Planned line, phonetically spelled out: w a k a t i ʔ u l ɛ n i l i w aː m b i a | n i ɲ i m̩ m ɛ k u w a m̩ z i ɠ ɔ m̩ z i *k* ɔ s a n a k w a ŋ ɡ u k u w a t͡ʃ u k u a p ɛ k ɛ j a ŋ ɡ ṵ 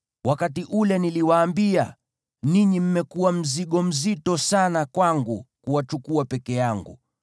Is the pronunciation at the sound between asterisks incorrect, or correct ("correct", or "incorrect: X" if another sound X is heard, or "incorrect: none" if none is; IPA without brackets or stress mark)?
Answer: incorrect: t